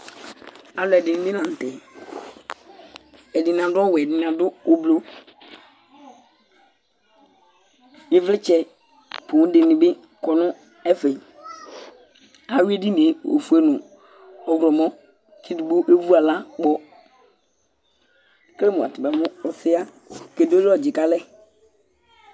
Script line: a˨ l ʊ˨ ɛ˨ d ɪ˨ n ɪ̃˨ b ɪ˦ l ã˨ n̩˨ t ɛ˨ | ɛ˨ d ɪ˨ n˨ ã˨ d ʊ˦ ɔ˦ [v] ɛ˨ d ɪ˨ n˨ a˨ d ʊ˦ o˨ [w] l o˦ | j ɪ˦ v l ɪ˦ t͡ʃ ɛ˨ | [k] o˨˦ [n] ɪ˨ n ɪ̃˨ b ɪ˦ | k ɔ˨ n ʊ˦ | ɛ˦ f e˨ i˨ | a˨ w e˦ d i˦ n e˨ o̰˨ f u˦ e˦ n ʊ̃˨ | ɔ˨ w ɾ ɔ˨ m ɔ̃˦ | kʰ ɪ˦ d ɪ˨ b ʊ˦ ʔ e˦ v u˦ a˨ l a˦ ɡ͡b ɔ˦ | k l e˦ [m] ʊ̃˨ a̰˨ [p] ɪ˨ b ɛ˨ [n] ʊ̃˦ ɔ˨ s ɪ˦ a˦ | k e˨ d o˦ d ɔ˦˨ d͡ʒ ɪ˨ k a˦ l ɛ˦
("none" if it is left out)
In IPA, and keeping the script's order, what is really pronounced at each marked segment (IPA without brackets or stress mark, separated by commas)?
w, b, p, d, m, t, m